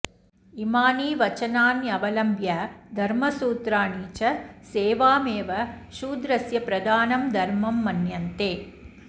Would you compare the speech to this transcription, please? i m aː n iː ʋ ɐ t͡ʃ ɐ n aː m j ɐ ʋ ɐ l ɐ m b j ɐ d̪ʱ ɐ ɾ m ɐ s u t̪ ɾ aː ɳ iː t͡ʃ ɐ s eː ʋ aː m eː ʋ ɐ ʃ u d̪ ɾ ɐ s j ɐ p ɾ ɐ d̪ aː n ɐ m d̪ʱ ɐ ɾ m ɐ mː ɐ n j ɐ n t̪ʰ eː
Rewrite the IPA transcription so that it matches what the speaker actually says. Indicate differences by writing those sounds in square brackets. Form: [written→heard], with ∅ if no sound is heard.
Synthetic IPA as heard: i m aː n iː ʋ ɐ t͡ʃ ɐ n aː [m→n] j ɐ ʋ ɐ l ɐ m b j ɐ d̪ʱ ɐ ɾ m ɐ s [u→uː] t̪ ɾ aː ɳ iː t͡ʃ ɐ s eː ʋ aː m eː ʋ ɐ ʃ [u→uː] d̪ ɾ ɐ s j ɐ p ɾ ɐ d̪ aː n ɐ m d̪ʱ ɐ ɾ m ɐ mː ɐ n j ɐ n [t̪ʰ→t̪] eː